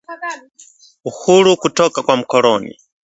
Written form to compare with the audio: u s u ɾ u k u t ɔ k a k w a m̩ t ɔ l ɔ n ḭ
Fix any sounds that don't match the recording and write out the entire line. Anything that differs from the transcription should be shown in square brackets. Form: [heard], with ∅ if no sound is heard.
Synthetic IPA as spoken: u [h] u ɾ u k u t ɔ k a k w a m̩ [k] ɔ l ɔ n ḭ